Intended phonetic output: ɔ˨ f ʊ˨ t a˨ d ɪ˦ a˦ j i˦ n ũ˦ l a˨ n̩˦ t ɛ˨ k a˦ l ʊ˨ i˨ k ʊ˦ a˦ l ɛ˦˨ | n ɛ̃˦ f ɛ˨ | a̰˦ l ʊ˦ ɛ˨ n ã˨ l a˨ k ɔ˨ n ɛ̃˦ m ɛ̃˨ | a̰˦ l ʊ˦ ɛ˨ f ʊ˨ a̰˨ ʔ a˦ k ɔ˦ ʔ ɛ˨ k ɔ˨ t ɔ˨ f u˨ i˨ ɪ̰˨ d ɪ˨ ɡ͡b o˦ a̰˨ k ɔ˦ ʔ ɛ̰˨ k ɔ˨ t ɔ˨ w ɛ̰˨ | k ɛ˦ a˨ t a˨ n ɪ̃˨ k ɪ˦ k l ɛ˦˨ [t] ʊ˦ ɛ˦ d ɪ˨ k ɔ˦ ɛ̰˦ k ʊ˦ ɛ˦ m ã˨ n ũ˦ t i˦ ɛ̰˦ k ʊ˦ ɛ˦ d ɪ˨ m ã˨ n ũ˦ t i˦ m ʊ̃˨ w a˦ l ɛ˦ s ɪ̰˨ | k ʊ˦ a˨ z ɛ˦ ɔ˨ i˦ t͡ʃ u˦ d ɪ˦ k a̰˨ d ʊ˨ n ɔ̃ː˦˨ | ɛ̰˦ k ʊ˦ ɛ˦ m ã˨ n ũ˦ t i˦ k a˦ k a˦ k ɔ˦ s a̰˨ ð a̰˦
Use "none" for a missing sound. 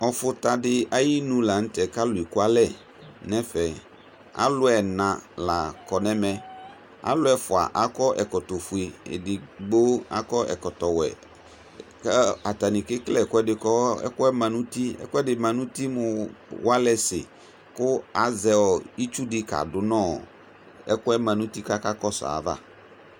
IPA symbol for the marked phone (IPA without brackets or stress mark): k